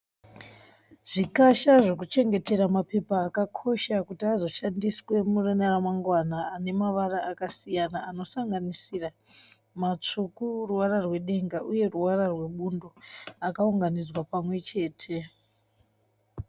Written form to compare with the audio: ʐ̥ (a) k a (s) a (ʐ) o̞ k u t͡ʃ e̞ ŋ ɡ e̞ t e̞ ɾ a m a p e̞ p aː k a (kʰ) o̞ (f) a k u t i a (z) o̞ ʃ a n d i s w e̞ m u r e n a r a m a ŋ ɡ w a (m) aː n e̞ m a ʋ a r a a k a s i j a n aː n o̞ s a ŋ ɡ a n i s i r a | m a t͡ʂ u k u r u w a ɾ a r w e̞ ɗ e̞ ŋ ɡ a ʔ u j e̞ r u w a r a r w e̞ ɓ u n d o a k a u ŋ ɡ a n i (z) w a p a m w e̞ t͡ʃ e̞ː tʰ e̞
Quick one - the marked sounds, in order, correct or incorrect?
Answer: incorrect: i, incorrect: ʃ, correct, correct, incorrect: ʃ, correct, incorrect: n, incorrect: d͡z

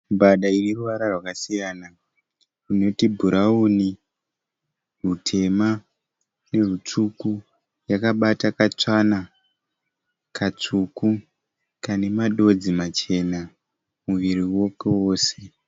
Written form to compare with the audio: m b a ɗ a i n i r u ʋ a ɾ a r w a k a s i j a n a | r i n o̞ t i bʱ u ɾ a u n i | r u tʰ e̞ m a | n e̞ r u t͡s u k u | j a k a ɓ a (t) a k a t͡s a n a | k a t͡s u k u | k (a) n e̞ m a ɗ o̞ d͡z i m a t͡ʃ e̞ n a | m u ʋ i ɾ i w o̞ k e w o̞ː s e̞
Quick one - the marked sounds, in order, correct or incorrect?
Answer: correct, correct

